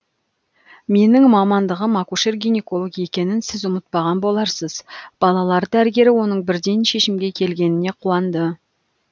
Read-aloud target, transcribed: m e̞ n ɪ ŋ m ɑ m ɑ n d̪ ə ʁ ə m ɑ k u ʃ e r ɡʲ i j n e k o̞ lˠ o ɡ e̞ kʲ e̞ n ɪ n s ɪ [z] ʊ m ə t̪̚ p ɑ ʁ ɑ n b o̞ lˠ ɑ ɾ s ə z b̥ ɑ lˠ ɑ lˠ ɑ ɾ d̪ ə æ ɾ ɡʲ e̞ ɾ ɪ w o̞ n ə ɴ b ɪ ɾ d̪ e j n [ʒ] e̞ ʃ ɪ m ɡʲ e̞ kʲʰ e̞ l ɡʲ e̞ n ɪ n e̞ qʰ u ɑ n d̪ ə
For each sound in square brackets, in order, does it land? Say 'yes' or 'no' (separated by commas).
yes, no